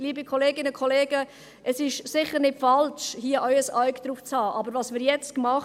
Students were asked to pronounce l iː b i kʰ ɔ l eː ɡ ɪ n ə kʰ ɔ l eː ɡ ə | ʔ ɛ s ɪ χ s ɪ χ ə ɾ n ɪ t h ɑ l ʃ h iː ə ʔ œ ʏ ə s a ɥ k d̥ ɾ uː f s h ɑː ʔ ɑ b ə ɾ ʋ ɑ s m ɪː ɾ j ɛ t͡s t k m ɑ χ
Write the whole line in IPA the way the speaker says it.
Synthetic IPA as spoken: l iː b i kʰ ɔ l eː ɡ ɪ n ə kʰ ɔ l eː ɡ ə | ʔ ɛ s ɪ ʃ s ɪ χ ə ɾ n ɪ t f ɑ l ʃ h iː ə ʔ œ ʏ ə s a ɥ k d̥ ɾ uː f t͡s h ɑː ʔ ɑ b ə ɾ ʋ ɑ s m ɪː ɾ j ɛ t͡s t k m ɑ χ